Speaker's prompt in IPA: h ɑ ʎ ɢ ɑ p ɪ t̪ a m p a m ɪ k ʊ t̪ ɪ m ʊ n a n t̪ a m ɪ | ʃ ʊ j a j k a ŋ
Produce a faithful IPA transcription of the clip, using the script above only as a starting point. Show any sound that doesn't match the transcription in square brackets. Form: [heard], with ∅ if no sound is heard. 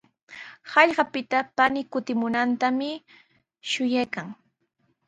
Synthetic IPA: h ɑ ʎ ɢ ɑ p ɪ t̪ a [∅] p a [n] ɪ k ʊ t̪ ɪ m ʊ n a n t̪ a m ɪ | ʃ ʊ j a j k a ŋ